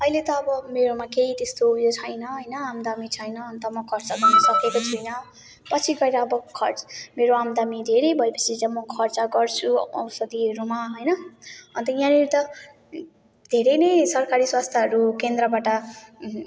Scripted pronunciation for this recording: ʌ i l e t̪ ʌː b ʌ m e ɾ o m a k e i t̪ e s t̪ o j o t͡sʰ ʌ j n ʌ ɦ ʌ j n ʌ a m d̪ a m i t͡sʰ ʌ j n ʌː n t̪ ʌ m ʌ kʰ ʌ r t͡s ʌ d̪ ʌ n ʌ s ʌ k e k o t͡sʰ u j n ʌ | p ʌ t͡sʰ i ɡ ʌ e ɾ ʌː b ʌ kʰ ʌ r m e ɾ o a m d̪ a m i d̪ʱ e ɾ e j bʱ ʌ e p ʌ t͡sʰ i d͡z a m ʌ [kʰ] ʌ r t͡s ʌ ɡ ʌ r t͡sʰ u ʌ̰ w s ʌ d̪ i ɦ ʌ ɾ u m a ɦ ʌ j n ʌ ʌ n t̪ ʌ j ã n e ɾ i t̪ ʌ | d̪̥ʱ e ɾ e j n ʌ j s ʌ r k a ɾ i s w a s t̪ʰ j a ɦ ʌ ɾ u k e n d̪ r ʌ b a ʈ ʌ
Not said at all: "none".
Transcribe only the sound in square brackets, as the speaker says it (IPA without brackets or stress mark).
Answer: kʰ